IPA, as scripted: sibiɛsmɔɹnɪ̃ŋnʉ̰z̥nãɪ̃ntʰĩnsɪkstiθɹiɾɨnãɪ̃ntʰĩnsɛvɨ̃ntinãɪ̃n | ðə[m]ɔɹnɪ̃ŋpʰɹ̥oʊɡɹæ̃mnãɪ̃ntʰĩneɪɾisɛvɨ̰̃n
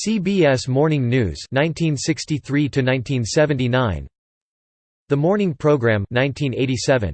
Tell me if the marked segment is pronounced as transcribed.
yes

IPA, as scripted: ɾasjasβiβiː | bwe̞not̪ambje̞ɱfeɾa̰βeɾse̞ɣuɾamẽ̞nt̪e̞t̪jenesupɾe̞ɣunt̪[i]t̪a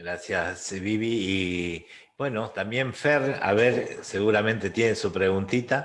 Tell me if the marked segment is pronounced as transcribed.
yes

